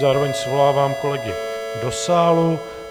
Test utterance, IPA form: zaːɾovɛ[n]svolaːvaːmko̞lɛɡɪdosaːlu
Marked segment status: incorrect: ɲ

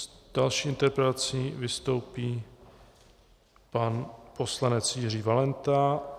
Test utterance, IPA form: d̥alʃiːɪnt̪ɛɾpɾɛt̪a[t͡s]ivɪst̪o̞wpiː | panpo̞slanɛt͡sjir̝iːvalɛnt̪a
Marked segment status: correct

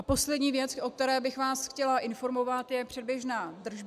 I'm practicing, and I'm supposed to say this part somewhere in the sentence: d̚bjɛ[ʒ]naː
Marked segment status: correct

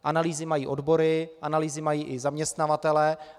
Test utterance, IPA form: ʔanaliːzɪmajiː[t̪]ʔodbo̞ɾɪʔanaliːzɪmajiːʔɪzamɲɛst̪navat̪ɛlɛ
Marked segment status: incorrect: none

